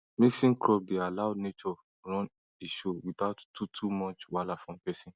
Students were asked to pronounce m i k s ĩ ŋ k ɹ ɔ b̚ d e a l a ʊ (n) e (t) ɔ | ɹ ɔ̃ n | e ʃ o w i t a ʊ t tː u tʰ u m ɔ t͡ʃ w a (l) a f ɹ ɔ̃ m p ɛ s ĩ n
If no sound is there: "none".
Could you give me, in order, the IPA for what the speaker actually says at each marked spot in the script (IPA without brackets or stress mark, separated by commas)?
n, t͡ʃ, l